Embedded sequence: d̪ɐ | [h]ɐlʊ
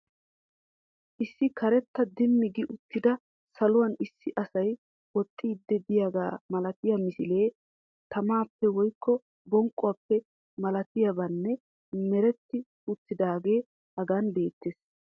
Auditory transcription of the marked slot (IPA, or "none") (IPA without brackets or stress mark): s